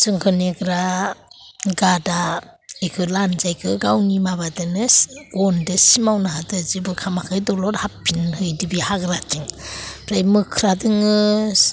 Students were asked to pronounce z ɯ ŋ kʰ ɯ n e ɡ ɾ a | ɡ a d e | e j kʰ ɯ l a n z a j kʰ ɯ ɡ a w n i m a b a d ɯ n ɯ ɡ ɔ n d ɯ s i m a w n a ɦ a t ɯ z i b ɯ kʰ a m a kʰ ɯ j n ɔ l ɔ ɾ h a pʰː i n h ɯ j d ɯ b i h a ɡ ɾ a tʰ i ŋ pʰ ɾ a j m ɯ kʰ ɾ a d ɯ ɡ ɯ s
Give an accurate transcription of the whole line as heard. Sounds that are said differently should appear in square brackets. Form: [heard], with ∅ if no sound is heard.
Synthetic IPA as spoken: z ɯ ŋ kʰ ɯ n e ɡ ɾ a | ɡ a d [a] | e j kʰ ɯ l a n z a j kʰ ɯ ɡ a w n i m a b a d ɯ n ɯ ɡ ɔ n d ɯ s i m a w n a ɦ a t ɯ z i b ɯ kʰ a m a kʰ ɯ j [d] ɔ l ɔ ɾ h a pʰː i n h ɯ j d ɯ b i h a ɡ ɾ a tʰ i ŋ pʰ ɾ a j m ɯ kʰ ɾ a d ɯ [ŋ] ɯ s